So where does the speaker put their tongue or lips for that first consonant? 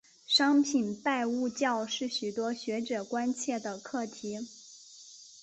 retroflex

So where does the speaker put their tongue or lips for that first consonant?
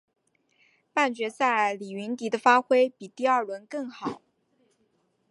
lips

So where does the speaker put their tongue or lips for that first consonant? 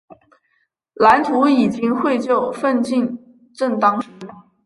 tongue tip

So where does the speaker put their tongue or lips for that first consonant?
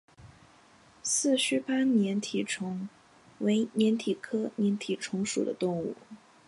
tongue tip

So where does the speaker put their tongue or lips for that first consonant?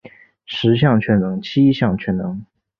retroflex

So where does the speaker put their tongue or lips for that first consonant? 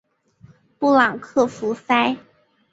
lips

